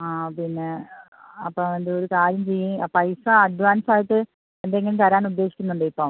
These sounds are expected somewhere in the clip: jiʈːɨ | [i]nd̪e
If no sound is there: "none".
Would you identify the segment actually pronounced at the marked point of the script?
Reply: e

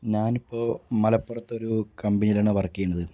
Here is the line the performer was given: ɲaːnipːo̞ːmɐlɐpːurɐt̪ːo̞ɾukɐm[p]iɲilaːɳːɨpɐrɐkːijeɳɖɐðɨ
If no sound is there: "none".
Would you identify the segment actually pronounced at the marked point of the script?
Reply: b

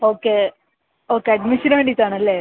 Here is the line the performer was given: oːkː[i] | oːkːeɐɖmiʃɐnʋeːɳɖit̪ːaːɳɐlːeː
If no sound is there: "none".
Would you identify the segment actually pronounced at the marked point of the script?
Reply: e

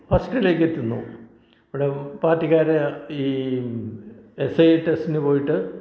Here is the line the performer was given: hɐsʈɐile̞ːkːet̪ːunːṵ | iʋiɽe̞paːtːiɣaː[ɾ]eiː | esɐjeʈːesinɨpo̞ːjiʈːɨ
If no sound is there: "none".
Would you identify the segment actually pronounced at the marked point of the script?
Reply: ɾ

